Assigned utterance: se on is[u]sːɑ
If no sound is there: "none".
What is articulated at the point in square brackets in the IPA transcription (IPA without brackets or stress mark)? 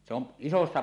o